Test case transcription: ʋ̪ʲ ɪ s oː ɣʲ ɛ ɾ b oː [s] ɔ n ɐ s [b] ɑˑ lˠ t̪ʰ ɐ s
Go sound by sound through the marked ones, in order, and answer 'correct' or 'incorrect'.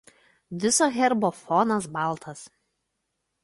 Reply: incorrect: f, correct

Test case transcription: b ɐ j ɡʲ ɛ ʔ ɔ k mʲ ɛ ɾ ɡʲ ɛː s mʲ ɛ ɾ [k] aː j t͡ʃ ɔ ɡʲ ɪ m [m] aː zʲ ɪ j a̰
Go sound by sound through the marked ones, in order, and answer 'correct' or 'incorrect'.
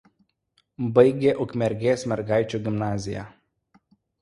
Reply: incorrect: ɡ, incorrect: n

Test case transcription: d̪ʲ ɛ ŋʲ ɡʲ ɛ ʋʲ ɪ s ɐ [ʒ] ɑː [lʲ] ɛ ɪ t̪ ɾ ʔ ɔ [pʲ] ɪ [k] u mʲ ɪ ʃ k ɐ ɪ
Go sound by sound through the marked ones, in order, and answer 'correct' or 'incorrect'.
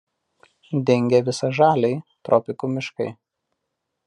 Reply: correct, correct, correct, correct

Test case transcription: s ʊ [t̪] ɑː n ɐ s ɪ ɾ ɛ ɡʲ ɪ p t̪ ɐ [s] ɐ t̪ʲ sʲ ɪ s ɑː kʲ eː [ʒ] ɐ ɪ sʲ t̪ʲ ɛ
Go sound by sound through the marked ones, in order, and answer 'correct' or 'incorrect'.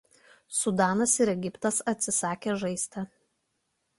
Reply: incorrect: d̪, correct, correct

